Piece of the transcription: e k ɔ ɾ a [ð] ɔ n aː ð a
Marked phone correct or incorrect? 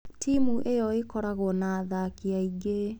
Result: incorrect